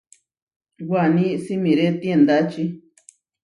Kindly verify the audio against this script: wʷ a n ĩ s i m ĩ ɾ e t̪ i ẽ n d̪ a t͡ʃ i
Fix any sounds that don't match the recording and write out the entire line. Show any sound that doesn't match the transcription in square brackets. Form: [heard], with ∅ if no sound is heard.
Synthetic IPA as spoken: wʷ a n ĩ s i m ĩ ɾ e t̪ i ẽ n d̪ a t͡ʃ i